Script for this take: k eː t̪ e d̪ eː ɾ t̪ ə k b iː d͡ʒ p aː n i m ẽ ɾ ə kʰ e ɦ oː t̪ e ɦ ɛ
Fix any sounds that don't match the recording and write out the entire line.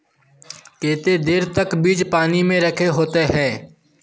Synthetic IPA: k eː t̪ e d̪ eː ɾ t̪ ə k b iː d͡ʒ p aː n i m ẽ ɾ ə kʰ e ɦ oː t̪ e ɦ ɛː